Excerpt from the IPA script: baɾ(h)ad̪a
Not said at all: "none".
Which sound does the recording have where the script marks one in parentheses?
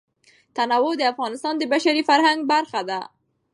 x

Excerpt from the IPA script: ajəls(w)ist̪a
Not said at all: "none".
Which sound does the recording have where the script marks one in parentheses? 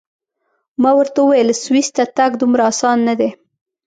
w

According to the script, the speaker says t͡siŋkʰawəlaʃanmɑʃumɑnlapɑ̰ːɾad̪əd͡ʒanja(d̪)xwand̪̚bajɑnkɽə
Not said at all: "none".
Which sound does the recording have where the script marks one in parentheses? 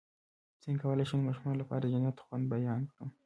t̪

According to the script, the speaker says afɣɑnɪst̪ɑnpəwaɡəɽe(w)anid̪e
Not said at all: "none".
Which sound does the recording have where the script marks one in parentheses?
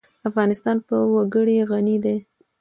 ɣ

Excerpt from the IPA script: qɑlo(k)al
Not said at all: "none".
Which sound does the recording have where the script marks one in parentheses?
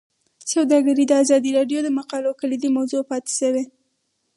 k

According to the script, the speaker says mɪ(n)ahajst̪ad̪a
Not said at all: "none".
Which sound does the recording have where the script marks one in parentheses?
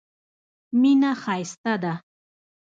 n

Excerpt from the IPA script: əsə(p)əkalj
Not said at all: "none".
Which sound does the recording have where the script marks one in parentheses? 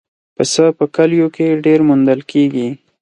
p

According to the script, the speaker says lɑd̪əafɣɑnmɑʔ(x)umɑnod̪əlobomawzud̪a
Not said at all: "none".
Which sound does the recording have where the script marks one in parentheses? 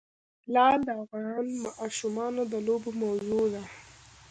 ʃ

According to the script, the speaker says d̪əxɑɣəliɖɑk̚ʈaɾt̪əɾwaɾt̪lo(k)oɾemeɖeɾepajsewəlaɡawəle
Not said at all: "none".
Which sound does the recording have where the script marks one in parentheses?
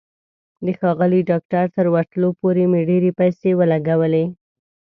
p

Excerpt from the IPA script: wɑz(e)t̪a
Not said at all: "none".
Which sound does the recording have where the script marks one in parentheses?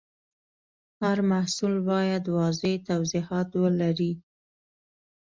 e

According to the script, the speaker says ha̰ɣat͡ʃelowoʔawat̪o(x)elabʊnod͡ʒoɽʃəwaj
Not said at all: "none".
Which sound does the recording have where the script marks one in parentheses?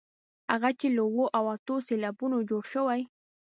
s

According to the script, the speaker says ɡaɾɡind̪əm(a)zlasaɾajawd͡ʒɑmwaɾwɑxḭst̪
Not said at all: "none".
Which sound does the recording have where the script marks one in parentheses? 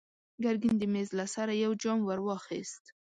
e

